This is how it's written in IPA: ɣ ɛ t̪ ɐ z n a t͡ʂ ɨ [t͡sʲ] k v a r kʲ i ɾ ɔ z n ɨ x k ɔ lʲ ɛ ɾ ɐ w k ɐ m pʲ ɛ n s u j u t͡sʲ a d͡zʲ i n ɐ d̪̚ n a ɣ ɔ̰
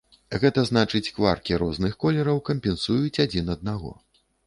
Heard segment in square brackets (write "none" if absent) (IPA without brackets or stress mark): t͡sʲ